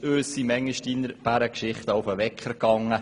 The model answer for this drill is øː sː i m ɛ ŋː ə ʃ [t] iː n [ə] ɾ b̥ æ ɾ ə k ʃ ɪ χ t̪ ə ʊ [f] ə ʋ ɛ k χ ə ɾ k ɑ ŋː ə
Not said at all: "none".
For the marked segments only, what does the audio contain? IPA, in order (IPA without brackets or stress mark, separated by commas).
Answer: t, ə, f